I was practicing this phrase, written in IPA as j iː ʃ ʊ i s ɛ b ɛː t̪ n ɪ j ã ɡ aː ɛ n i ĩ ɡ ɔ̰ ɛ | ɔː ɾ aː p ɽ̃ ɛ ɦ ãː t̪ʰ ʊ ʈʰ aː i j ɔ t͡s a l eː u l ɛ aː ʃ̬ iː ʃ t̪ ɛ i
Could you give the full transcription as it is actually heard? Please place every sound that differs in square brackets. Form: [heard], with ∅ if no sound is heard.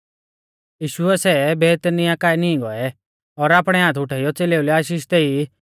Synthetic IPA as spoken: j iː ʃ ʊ [ɛ] s ɛ b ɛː t̪ n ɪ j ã [k] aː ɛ n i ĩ ɡ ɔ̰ ɛ | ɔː ɾ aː p ɽ̃ ɛ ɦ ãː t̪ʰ ʊ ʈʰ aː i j ɔ t͡s [e] l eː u l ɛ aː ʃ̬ iː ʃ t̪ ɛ i